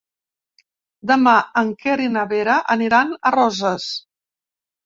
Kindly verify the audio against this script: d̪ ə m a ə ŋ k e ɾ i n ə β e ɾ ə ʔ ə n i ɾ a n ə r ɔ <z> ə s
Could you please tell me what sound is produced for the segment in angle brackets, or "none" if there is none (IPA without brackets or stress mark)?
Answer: z